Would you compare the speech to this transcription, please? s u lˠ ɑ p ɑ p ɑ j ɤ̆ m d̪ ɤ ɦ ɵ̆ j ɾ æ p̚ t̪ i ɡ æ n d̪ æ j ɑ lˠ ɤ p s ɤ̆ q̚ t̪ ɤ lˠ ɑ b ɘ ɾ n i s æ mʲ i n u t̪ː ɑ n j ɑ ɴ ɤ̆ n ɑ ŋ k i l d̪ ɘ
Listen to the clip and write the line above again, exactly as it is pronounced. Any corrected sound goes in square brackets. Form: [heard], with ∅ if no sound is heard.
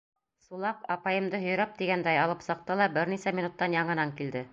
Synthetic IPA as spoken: s u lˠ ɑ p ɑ p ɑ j ɤ̆ m d̪ ɤ ɦ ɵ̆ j ɾ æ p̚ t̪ i ɡ æ n d̪ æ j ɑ lˠ ɤ p s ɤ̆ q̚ t̪ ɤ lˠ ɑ b ɘ ɾ n i s æ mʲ i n u t̪ː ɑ n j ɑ ɴ ɤ̆ n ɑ ŋ k i l d̪ ɘ